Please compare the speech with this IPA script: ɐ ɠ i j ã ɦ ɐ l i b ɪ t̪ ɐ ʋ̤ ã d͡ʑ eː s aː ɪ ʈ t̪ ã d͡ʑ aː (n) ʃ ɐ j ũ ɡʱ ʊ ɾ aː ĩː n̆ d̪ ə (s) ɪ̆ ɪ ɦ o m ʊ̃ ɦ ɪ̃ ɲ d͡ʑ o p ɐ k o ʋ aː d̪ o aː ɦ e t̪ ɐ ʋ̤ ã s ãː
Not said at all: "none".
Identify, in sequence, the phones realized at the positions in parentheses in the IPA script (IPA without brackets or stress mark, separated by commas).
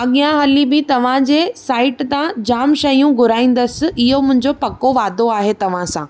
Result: m, s